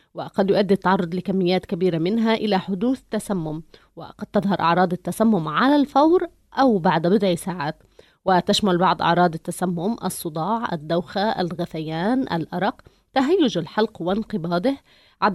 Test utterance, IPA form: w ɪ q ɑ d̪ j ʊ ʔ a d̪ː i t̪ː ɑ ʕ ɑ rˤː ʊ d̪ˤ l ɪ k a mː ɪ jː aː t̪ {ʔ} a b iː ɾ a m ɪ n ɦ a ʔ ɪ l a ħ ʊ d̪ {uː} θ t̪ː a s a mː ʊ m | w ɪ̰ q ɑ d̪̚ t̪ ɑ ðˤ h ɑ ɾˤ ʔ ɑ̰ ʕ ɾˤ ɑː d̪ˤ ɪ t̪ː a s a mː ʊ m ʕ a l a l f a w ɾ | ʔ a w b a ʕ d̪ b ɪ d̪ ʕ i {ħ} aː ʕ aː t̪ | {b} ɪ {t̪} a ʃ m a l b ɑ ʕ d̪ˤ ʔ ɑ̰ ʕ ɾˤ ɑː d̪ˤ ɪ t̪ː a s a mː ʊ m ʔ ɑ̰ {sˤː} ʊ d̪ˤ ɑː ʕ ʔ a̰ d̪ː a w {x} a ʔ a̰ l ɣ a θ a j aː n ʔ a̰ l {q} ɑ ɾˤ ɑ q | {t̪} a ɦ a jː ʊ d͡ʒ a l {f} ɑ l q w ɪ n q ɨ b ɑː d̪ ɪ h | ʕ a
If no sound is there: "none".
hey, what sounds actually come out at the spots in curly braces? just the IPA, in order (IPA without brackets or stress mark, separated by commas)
k, uː, s, w, t̪, sˤː, x, ʔ, t̪, ħ